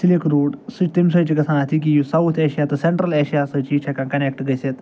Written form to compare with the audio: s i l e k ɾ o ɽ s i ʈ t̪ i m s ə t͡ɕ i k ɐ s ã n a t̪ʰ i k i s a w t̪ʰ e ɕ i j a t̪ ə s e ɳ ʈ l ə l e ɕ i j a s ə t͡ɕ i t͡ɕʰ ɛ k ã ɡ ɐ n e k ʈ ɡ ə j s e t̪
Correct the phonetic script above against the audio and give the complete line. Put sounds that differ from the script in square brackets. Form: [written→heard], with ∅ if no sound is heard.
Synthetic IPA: s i l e k ɾ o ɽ s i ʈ t̪ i m s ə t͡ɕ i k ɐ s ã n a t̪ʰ i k i s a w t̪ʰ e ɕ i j a t̪ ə s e ɳ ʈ [l→ɾ] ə l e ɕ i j a s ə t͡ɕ i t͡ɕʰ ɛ k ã [ɡ→k] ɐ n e k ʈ ɡ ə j s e t̪